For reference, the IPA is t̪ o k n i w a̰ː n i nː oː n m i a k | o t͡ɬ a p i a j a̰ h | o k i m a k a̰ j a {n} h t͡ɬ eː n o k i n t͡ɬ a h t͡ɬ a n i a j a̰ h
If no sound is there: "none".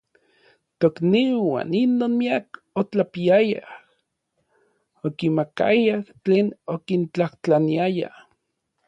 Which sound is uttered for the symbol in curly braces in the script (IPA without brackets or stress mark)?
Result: none